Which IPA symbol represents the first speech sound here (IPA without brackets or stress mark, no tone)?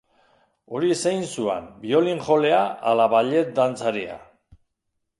o̞